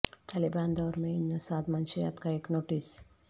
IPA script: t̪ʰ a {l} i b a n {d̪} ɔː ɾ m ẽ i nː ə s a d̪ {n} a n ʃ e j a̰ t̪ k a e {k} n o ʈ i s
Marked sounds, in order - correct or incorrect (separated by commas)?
correct, correct, incorrect, correct